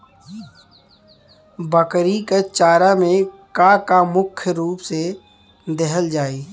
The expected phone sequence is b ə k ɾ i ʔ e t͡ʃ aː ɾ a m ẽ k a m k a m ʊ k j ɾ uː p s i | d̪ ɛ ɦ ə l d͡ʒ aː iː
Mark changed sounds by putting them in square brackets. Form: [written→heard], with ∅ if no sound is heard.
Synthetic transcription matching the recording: b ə k ɾ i [ʔ→k] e t͡ʃ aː ɾ a m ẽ k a [m→∅] k a m ʊ [k→kʰ] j ɾ uː p s [i→e] | d̪ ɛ ɦ ə l d͡ʒ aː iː